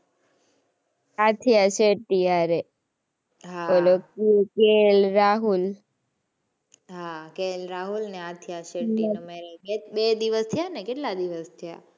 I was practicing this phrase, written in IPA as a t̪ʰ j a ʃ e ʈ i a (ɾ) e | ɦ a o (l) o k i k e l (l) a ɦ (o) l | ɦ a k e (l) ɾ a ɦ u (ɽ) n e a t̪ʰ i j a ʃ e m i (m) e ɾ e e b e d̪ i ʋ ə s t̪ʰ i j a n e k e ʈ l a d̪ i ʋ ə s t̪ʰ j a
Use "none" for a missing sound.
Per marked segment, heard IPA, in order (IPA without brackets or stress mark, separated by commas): ɾ, l, ɾ, u, l, l, m